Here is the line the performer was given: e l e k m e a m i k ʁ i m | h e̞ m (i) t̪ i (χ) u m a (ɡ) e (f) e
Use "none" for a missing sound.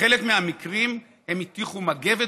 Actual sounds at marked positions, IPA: i, χ, ɡ, v

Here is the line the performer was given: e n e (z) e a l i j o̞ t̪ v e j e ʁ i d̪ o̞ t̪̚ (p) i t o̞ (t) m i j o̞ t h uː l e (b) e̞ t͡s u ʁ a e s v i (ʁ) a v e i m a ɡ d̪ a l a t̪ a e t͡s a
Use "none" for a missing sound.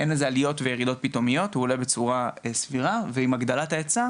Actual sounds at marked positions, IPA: z, p, none, b, ʁ

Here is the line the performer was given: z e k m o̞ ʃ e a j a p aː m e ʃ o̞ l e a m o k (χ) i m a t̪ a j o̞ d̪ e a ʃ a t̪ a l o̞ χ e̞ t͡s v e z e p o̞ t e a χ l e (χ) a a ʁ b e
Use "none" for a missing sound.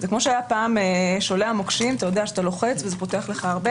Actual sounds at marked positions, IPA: ʃ, χ

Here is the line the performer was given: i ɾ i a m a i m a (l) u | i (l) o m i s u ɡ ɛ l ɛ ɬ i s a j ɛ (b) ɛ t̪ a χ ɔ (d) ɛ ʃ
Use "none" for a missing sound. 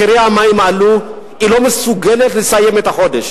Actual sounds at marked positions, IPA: l, l, m, d

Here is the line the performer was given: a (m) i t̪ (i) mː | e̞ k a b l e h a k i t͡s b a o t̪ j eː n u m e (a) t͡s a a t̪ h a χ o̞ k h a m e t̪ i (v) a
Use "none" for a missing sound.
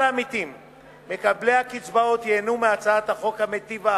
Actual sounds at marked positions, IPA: m, i, a, v

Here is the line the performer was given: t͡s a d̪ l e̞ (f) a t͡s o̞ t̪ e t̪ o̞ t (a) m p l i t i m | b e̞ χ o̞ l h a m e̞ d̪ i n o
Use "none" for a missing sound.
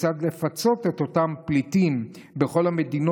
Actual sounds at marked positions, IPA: f, a

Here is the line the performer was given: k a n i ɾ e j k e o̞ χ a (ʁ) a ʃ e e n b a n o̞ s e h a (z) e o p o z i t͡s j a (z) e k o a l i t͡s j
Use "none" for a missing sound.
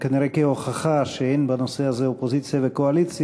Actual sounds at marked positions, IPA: χ, z, v

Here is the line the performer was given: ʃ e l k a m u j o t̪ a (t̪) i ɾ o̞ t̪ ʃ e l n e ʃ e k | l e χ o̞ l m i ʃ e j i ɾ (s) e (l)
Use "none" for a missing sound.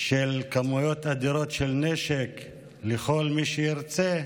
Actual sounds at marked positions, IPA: d̪, t͡s, none

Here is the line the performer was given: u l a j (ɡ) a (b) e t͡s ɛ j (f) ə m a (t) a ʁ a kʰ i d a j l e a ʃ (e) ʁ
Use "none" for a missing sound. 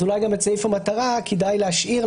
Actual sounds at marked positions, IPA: ɡ, m, f, t, i

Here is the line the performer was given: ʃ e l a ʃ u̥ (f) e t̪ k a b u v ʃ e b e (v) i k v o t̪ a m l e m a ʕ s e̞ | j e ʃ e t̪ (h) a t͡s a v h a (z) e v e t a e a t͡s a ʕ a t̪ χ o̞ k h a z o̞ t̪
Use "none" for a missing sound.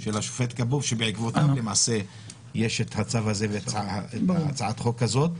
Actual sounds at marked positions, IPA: f, ʕ, h, z

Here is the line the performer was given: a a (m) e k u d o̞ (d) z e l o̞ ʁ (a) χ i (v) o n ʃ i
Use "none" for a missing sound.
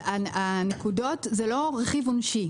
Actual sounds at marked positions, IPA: n, t, e, v

